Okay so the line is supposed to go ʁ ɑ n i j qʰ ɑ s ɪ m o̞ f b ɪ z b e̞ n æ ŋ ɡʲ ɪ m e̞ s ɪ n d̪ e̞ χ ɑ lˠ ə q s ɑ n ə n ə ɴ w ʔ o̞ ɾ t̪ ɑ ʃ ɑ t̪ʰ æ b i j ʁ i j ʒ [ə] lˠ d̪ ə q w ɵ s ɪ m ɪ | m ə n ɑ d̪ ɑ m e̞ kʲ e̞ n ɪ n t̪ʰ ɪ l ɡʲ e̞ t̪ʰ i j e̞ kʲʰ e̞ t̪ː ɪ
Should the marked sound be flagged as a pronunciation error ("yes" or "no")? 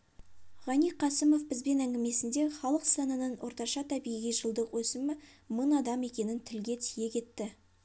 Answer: no